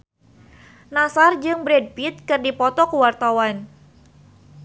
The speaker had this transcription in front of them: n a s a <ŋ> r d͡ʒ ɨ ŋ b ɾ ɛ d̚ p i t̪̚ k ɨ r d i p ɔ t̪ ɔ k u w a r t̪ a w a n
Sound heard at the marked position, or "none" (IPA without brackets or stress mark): none